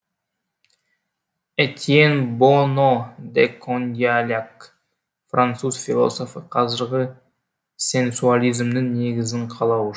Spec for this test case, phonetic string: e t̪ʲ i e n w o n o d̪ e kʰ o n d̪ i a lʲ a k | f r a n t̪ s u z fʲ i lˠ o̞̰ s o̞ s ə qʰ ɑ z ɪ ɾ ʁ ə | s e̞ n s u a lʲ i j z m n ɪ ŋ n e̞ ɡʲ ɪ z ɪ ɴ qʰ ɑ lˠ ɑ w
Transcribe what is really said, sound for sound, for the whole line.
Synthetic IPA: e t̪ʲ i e n b o n o d̪ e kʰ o n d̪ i a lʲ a k | f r a n t̪ s u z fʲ i lˠ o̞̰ s o̞ f ə qʰ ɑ z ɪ ɾ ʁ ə | s e̞ n s u a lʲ i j z m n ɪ ŋ n e̞ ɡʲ ɪ z ɪ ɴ qʰ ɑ lˠ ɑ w